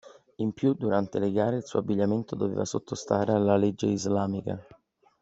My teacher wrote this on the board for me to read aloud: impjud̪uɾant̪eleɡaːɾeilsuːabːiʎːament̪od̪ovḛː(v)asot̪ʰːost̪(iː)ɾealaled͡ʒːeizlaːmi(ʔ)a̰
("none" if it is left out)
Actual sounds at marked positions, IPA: v, aː, k

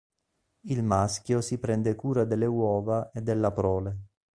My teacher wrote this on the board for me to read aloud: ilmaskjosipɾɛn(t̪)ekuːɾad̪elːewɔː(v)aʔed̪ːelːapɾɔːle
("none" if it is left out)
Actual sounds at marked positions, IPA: d̪, v

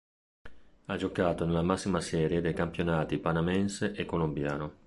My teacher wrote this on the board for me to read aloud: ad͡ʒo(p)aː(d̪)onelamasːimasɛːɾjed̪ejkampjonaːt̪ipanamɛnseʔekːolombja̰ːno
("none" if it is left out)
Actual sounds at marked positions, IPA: k, t̪

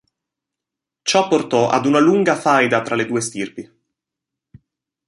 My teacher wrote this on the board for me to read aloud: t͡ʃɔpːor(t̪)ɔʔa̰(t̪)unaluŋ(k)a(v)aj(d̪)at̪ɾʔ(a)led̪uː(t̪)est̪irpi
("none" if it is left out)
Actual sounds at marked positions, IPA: t̪, d̪, ɡ, f, d̪, a, none

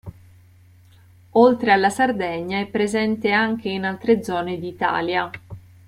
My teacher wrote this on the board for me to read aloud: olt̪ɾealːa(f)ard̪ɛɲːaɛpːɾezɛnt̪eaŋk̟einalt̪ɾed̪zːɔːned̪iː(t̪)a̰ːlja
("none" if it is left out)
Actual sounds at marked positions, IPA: s, t̪

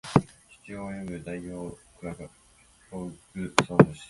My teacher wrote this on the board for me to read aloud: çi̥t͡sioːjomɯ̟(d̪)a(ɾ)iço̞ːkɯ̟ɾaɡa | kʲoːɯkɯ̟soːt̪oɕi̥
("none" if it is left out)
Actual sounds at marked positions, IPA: d̪, none

